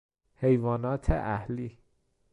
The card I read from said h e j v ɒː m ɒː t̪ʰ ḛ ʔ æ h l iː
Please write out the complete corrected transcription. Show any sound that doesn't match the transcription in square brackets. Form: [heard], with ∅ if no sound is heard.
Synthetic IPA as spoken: h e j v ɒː [n] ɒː t̪ʰ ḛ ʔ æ h l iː